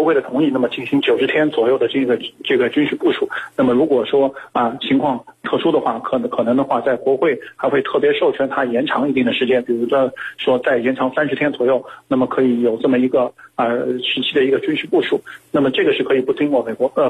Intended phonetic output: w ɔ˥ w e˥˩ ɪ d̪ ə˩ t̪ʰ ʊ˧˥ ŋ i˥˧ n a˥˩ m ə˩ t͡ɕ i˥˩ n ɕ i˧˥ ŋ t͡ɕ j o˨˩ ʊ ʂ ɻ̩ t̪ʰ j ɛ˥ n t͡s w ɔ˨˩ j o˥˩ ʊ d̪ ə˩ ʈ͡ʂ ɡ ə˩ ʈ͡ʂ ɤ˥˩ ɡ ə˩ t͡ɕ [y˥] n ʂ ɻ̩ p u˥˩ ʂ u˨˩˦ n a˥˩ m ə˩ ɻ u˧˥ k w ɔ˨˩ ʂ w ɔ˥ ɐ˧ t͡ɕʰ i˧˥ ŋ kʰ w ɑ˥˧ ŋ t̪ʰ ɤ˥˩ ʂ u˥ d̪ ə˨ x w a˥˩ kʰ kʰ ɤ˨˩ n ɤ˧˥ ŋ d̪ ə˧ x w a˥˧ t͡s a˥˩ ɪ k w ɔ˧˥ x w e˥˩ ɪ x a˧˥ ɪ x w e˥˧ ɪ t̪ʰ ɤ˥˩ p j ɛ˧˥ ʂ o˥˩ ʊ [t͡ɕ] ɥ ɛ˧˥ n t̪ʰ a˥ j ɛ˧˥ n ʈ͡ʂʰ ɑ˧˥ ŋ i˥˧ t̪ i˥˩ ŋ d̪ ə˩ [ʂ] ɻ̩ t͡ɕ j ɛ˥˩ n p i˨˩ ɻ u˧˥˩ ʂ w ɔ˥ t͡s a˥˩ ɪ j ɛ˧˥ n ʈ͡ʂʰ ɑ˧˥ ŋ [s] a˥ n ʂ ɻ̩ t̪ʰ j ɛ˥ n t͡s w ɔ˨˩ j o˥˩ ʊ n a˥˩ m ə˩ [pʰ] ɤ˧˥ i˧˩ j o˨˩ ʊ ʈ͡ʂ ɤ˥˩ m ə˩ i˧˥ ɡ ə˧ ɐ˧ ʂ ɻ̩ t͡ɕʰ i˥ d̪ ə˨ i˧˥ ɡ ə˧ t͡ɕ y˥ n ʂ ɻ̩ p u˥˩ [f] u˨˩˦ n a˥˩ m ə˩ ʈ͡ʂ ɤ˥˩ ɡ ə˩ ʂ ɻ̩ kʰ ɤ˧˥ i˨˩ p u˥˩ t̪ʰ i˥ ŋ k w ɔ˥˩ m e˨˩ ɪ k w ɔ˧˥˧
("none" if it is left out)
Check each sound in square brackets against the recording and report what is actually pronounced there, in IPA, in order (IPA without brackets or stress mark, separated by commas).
y˥, t͡ɕʰ, ʂ, s, kʰ, ʂ